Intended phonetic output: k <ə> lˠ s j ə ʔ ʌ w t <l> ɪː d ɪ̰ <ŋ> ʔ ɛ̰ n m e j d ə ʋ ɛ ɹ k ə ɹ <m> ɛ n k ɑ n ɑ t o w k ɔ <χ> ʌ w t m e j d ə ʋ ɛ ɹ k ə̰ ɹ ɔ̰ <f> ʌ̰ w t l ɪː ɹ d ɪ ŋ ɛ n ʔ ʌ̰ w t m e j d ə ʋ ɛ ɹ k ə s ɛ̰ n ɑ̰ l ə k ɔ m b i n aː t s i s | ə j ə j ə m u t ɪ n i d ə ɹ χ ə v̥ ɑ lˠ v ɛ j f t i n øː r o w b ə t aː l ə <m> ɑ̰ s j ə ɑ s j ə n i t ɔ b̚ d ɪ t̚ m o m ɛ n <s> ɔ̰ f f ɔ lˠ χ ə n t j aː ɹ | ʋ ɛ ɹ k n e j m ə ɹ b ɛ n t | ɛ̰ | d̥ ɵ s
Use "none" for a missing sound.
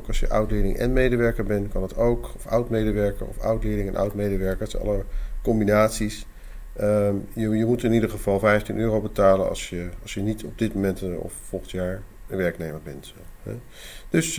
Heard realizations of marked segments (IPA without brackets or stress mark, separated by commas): ɑ, l, ŋ, b, f, f, n, t